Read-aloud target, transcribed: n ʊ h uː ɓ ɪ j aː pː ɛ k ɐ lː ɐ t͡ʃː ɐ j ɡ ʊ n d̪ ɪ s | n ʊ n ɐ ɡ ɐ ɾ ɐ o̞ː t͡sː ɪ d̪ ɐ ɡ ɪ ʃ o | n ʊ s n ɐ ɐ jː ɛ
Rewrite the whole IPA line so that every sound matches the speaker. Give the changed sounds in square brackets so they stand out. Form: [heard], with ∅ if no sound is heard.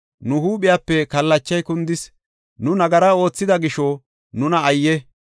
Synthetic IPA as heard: n ʊ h uː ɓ ɪ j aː pː ɛ k ɐ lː ɐ t͡ʃː ɐ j [k] ʊ n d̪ ɪ s | n ʊ n ɐ ɡ ɐ ɾ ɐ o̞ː t͡sː ɪ d̪ ɐ ɡ ɪ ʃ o | n ʊ [∅] n ɐ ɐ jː ɛ